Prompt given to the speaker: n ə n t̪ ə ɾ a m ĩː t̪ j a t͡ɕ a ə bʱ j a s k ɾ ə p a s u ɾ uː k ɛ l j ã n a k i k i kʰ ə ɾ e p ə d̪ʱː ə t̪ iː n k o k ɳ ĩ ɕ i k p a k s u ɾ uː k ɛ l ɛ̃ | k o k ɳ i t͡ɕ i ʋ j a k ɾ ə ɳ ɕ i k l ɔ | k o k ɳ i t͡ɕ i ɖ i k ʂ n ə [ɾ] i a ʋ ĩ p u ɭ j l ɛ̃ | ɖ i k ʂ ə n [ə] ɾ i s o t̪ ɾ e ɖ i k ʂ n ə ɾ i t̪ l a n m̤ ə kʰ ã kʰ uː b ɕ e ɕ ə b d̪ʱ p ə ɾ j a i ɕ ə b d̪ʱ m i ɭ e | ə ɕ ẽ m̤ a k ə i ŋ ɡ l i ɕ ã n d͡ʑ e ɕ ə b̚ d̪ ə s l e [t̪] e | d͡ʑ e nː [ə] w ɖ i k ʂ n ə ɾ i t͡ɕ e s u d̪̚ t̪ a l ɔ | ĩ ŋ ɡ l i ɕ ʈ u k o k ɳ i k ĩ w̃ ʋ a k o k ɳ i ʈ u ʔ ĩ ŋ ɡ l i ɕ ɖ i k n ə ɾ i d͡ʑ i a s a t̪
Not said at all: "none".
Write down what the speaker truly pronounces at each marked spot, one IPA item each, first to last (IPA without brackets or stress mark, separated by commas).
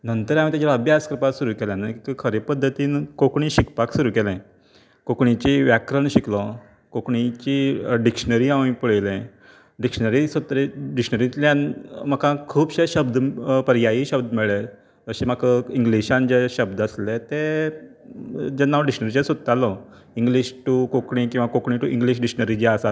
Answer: ɾ, ə, t̪, a